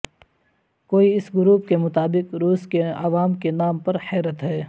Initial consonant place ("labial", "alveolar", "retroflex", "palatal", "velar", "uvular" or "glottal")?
velar